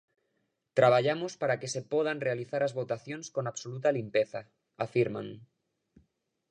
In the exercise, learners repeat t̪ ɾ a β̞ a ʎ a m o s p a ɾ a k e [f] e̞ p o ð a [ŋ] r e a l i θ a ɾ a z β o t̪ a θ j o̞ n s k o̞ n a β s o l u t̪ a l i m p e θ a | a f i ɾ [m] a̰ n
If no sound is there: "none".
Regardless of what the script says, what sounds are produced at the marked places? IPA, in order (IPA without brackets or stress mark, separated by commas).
s, n, m